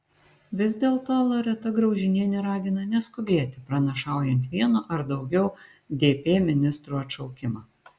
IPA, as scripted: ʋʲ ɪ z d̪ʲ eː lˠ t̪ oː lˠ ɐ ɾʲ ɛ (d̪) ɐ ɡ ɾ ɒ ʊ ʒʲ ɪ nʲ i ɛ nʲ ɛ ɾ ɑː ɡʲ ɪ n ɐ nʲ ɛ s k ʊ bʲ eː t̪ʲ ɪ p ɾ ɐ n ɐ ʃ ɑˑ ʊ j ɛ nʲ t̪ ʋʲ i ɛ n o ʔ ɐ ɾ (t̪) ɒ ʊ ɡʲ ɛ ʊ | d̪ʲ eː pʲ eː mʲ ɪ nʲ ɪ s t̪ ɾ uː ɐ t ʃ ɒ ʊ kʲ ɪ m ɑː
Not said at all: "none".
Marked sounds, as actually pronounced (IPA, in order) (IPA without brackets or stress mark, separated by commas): t̪, d̪